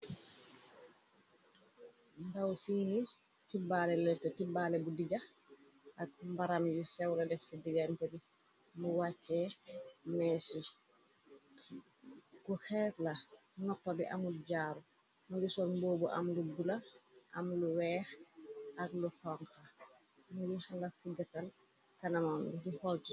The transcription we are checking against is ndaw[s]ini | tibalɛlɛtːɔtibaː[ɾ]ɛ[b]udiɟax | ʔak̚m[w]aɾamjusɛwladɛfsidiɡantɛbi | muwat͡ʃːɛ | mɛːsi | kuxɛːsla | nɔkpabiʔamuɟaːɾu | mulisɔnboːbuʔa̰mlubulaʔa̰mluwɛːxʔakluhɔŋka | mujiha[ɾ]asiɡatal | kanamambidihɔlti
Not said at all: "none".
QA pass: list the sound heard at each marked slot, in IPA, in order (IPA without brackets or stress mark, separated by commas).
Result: s, l, b, b, l